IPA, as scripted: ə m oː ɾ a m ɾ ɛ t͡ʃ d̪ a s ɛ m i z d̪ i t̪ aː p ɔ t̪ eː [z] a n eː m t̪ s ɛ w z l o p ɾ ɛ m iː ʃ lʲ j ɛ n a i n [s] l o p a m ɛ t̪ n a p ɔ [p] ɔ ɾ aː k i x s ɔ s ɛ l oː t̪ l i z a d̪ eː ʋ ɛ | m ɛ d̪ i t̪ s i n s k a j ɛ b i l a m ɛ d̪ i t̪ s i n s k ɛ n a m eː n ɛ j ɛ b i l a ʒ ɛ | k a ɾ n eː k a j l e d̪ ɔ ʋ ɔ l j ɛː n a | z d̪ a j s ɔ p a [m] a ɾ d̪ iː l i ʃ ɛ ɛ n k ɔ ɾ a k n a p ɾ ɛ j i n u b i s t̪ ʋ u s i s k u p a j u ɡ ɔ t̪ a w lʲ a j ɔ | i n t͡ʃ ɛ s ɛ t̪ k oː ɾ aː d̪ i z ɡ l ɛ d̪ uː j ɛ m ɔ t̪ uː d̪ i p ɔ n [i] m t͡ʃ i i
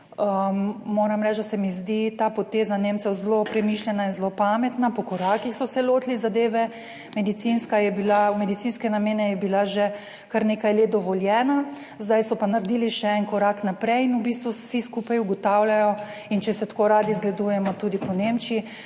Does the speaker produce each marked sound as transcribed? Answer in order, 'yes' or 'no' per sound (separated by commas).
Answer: yes, no, no, no, no